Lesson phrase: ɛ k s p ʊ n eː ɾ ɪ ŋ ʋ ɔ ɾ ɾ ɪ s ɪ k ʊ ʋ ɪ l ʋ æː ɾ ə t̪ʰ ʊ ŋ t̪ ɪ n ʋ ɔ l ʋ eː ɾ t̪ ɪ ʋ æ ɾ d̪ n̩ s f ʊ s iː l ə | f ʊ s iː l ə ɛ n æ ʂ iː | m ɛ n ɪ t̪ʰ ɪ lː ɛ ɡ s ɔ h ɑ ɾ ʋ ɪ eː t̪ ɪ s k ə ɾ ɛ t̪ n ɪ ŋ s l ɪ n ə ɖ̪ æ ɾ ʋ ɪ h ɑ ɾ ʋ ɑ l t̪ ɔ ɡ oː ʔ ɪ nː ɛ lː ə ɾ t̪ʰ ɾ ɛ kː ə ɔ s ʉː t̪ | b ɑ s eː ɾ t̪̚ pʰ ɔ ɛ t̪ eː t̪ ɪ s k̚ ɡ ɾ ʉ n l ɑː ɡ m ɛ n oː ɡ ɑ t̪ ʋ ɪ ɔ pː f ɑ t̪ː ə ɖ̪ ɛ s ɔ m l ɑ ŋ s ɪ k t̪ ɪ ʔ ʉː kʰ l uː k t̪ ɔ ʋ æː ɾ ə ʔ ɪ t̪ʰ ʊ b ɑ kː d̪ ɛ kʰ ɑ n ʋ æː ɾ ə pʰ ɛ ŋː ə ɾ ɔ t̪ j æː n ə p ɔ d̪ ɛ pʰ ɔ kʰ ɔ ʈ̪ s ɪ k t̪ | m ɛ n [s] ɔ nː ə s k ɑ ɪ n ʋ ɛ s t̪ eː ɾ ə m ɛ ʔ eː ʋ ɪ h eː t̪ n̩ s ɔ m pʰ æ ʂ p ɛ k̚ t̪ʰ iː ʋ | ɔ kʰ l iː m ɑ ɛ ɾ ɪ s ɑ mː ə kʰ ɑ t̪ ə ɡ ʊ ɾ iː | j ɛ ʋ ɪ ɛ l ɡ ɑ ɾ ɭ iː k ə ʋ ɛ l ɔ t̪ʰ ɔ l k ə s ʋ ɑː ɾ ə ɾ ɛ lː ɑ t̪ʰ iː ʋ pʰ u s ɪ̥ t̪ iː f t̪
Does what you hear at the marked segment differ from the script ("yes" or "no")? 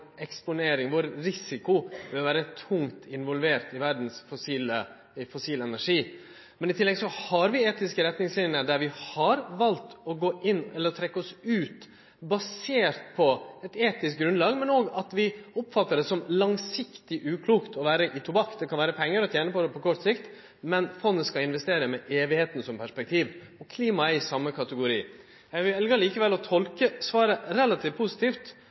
yes